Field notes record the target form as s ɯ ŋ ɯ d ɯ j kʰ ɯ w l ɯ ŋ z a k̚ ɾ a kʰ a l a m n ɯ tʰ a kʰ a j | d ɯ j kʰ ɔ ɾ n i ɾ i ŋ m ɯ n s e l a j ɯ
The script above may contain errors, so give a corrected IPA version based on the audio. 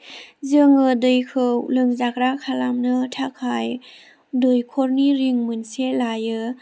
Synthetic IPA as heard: z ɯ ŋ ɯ d ɯ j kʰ ɯ w l ɯ ŋ z a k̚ ɾ a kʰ a l a m n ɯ tʰ a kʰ a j | d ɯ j kʰ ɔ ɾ n i ɾ i ŋ m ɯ n s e l a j ɯ